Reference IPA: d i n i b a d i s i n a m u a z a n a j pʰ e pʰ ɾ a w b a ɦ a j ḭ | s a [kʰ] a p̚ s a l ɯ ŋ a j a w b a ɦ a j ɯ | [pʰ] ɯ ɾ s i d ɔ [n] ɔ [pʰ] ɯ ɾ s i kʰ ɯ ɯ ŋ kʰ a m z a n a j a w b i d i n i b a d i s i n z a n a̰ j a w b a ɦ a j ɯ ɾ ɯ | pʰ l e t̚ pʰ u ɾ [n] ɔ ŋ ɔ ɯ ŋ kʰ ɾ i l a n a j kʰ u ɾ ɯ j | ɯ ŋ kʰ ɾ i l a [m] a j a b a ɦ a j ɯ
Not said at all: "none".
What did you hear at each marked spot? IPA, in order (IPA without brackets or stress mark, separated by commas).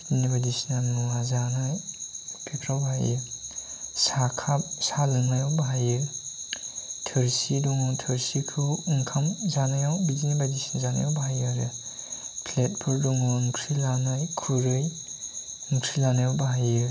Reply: kʰ, tʰ, ŋ, tʰ, d, n